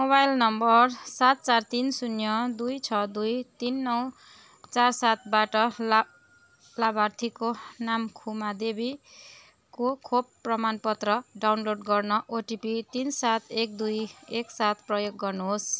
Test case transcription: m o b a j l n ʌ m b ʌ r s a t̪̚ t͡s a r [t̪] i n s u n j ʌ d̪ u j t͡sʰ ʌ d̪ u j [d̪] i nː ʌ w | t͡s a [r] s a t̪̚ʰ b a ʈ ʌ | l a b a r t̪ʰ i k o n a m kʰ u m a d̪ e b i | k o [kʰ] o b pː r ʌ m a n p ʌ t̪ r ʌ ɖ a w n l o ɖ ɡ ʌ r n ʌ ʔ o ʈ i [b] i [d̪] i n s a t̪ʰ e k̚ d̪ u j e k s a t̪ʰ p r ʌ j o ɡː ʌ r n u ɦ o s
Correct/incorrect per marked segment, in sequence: correct, incorrect: t̪, correct, correct, incorrect: p, incorrect: t̪

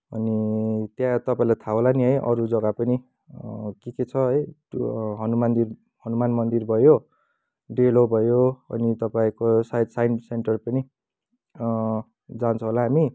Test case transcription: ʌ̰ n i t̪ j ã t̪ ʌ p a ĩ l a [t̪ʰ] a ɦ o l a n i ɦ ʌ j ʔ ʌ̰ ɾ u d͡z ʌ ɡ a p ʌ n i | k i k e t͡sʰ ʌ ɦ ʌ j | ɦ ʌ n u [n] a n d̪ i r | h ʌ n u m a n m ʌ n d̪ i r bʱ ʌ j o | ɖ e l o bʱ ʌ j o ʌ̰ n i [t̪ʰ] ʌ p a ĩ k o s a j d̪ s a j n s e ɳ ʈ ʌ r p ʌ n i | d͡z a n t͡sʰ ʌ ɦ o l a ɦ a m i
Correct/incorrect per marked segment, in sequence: correct, incorrect: m, incorrect: t̪

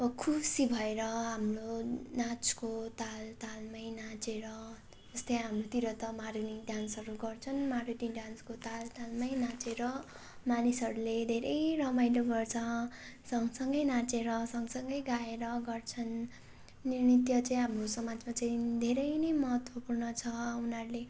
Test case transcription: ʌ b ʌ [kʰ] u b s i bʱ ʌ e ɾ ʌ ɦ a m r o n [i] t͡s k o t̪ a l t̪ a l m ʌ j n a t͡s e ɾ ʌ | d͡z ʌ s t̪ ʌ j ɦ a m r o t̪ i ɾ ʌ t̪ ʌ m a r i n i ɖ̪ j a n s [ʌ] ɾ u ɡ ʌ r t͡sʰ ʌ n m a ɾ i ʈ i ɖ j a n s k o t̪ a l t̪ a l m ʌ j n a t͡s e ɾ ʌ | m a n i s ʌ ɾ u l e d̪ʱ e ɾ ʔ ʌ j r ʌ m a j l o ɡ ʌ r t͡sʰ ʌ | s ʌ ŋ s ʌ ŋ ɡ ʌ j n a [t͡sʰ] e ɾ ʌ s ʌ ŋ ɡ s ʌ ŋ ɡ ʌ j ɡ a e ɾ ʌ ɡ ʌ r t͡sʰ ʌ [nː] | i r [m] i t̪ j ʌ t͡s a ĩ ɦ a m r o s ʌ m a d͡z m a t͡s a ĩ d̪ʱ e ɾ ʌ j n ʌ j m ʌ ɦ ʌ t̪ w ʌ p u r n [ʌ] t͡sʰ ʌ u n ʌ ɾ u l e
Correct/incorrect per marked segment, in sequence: correct, incorrect: a, correct, incorrect: t͡s, correct, incorrect: n, correct

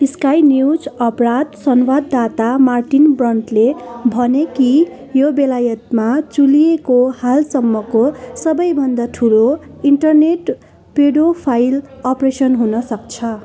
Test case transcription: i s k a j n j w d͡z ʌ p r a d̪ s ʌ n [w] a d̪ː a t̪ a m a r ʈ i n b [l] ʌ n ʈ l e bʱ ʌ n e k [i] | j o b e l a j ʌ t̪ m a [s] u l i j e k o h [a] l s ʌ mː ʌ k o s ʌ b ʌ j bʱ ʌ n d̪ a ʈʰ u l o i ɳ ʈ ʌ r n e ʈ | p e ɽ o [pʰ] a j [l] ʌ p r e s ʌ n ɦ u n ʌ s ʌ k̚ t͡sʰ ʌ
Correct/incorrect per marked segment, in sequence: correct, incorrect: r, correct, incorrect: t͡s, correct, correct, correct

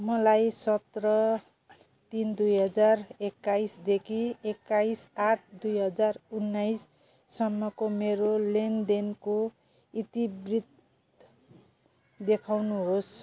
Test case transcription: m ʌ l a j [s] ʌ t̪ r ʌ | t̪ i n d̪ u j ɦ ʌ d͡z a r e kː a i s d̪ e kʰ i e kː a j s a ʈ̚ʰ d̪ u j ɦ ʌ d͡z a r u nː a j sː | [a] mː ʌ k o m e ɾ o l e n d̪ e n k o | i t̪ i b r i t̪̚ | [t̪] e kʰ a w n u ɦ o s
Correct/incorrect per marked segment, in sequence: correct, incorrect: ʌ, incorrect: d̪

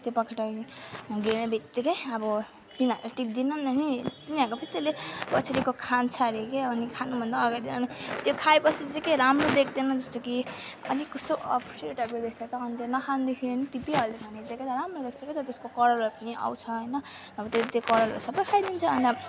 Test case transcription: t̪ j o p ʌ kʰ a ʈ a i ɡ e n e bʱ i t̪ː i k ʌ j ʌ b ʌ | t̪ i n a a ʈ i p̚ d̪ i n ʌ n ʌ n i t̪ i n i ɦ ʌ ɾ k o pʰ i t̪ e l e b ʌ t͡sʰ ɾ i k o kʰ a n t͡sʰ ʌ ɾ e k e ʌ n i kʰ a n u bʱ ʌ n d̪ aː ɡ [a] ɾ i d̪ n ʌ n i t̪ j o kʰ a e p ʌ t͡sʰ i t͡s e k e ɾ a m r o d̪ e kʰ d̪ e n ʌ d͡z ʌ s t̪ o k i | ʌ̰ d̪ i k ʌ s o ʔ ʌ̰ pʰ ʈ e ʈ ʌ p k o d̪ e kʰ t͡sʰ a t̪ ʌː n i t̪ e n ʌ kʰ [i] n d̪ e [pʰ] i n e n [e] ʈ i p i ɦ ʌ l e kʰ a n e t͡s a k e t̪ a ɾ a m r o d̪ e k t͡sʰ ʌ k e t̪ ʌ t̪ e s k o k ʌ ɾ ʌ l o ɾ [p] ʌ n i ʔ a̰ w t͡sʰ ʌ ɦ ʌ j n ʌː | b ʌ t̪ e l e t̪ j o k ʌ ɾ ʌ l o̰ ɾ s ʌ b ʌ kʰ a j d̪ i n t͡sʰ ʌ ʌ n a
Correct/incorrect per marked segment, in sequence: correct, incorrect: a, incorrect: kʰ, incorrect: i, correct

